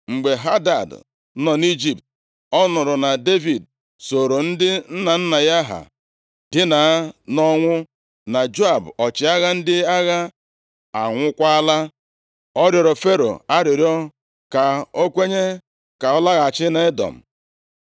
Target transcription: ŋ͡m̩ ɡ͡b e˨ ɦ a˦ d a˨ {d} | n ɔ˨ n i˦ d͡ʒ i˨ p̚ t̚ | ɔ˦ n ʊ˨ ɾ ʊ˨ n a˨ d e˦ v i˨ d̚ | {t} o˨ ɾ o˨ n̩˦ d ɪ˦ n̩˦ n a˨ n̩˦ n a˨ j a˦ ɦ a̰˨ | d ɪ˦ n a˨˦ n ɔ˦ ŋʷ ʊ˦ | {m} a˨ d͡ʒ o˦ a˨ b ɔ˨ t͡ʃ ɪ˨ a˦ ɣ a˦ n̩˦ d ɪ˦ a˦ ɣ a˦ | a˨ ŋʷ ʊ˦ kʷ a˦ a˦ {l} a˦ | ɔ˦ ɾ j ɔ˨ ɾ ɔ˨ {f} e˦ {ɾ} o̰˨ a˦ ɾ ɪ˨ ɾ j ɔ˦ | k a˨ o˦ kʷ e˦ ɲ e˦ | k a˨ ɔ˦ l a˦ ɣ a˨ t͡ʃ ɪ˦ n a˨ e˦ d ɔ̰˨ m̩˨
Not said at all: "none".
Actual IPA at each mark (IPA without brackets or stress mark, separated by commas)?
d, s, n, l, f, ɾ